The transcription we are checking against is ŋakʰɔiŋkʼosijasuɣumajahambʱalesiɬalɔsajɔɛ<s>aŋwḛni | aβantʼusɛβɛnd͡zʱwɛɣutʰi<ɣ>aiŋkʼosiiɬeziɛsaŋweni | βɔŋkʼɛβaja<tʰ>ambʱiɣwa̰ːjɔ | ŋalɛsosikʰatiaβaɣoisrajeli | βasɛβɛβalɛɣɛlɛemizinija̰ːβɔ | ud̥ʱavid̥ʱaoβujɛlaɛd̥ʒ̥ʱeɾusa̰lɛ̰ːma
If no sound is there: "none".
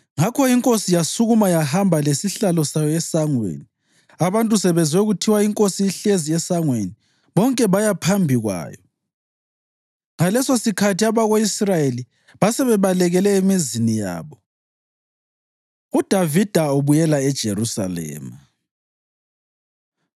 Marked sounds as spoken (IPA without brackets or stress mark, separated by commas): s, w, pʰ